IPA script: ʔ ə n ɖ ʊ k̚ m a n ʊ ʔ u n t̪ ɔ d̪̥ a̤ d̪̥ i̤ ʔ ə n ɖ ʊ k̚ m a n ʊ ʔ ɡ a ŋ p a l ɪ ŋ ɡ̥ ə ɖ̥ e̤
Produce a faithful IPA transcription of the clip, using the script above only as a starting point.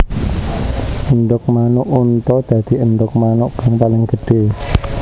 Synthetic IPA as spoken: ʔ ə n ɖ ʊ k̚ m a n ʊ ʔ u n t̪ ɔ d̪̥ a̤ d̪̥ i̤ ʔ ə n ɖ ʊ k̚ m a n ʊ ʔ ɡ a ŋ p a l ɪ ŋ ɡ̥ ə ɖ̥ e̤